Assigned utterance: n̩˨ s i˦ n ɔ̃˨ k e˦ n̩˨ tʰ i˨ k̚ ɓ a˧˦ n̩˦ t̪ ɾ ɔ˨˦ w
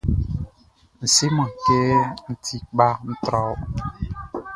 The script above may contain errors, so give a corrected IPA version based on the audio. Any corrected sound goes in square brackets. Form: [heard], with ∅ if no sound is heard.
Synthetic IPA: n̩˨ s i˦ [m] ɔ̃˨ k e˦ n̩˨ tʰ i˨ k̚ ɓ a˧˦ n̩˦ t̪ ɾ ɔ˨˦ w